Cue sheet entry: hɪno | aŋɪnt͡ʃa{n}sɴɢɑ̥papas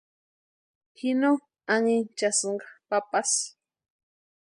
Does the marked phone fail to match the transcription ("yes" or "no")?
yes